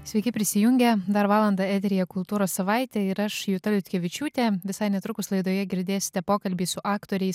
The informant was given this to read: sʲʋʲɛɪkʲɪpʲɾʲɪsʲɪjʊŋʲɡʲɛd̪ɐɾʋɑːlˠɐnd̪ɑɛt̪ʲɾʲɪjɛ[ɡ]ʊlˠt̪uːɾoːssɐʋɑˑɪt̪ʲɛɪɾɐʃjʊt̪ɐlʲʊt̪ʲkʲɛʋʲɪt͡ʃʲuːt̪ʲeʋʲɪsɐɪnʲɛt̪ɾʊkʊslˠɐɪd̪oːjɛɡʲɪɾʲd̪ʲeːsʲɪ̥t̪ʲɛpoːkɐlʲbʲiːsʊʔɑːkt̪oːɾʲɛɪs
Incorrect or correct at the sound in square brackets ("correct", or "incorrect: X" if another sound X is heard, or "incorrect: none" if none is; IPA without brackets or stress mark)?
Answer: incorrect: k